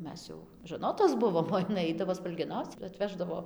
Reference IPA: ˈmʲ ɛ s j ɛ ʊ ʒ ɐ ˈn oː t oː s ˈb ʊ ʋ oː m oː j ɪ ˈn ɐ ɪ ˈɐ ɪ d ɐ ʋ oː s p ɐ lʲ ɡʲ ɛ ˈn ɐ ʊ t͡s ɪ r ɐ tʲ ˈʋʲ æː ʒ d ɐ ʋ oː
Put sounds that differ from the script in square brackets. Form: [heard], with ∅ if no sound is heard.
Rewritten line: ˈmʲ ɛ s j ɛ ʊ ʒ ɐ ˈn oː t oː s ˈb ʊ ʋ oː m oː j ɪ ˈn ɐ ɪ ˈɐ ɪ d ɐ ʋ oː s p ɐ lʲ ɡʲ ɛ ˈn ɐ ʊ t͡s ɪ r ɐ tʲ ˈʋʲ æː ʒ d ɐ ʋ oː